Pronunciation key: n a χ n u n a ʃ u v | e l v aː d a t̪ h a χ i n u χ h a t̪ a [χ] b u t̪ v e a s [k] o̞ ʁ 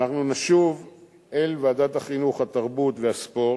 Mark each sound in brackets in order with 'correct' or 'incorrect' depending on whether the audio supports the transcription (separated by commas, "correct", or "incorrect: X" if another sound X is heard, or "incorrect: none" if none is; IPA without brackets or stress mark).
incorrect: ʁ, incorrect: p